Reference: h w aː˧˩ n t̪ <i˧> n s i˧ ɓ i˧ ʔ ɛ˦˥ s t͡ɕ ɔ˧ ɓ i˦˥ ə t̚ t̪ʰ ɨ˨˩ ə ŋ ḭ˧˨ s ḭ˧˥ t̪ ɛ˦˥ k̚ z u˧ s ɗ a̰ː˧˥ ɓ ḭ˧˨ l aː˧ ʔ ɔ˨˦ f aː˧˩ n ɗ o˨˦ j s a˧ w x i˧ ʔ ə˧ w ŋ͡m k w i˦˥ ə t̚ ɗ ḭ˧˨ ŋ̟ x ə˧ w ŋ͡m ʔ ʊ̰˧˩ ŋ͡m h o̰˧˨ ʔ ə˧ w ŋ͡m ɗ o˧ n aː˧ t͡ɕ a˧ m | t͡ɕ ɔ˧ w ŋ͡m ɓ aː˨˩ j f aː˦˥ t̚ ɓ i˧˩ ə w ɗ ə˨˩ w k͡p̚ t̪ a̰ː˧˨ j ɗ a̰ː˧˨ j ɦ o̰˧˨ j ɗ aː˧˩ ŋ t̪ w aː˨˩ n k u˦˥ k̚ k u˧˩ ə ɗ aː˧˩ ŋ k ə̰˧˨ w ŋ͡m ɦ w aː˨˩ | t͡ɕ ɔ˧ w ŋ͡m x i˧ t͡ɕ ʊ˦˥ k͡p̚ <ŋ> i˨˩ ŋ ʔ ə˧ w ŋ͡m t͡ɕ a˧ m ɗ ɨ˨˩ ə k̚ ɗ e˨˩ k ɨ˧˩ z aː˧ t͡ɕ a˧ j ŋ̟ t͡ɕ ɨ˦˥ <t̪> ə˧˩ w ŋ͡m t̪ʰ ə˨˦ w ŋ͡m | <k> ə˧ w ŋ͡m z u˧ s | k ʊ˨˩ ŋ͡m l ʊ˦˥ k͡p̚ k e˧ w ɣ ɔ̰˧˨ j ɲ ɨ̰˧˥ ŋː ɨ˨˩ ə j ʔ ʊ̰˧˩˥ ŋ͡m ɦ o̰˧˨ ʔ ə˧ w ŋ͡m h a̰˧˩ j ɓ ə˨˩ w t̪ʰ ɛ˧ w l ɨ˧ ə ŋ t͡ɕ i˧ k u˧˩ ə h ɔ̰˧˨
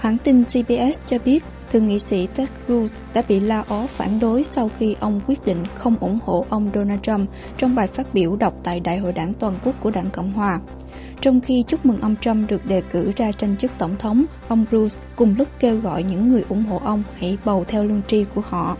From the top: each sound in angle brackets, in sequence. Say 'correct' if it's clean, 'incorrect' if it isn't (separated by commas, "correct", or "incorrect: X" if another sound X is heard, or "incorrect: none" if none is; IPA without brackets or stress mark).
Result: correct, incorrect: m, correct, incorrect: ʔ